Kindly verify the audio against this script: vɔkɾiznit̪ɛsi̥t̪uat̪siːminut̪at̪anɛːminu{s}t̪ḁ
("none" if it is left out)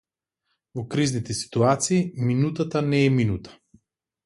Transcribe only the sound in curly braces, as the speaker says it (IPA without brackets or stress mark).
none